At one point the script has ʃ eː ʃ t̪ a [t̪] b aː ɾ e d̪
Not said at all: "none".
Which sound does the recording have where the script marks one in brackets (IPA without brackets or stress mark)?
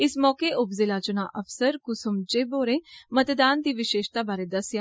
none